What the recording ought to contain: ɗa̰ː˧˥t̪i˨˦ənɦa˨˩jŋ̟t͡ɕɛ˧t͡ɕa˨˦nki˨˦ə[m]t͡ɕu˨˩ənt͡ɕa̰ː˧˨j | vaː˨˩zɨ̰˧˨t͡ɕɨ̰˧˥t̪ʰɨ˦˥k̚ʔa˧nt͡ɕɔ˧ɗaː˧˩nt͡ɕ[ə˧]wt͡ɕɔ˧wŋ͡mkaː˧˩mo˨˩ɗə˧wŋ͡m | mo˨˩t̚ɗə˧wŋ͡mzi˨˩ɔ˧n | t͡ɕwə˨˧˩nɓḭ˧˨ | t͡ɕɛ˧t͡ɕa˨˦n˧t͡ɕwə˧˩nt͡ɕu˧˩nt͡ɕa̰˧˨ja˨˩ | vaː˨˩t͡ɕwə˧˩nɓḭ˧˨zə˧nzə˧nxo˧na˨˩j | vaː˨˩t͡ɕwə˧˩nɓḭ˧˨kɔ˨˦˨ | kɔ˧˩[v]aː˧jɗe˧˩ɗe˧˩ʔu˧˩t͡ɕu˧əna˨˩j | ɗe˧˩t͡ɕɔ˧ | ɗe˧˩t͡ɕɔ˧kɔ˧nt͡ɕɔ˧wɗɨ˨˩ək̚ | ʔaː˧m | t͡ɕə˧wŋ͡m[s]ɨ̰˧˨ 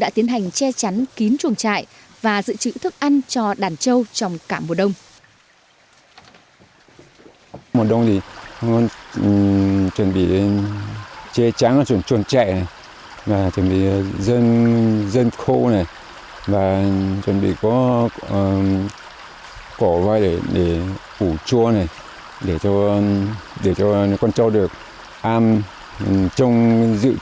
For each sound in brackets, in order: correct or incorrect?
incorrect: n, correct, correct, incorrect: z

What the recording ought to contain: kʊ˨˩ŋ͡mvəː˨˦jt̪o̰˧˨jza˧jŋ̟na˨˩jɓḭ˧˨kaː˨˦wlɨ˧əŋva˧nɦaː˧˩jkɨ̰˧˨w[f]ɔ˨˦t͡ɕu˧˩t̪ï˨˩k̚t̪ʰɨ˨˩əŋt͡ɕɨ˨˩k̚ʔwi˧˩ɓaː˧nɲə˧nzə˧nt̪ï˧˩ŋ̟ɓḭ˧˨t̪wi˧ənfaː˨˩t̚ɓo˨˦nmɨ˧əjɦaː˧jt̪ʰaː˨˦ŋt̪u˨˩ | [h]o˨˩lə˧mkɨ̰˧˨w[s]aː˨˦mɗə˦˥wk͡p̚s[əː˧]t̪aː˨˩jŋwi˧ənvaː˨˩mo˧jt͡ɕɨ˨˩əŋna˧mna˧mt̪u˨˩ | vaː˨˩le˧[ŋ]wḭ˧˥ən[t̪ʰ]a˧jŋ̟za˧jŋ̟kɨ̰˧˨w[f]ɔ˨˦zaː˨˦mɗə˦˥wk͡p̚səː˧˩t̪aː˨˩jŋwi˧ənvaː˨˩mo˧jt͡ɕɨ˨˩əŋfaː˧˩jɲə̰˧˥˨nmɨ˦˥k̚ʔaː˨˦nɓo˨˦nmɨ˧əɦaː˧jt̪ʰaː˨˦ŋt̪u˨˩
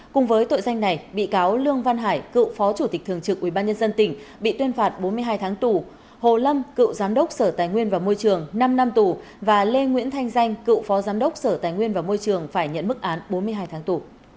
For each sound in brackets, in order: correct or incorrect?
correct, correct, incorrect: z, incorrect: əː˧˩, correct, correct, correct

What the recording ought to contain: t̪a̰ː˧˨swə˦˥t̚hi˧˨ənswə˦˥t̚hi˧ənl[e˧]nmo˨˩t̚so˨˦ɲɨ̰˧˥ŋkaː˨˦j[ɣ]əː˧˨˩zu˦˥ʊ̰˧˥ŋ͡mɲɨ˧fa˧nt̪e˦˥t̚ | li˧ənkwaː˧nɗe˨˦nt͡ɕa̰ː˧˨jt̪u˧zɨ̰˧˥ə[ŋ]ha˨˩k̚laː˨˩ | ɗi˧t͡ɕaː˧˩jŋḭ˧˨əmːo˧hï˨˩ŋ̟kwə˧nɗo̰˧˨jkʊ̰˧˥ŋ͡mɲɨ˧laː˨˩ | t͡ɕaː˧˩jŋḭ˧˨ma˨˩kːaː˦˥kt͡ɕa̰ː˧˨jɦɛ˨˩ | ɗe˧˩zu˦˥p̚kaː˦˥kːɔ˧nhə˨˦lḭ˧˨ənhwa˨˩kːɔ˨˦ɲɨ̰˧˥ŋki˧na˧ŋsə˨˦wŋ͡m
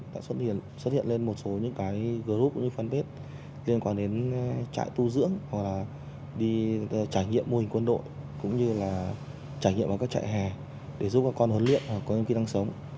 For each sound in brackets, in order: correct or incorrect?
correct, correct, correct

